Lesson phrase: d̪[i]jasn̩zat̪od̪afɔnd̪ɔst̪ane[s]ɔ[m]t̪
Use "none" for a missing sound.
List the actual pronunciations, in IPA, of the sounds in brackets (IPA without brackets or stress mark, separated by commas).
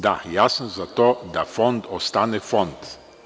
a, f, n